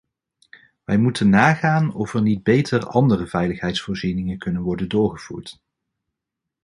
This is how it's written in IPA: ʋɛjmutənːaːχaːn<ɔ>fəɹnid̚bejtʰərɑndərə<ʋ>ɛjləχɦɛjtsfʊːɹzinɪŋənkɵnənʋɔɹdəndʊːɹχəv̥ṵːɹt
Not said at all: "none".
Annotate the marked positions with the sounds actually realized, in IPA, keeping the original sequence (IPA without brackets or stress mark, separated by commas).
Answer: ɔ, v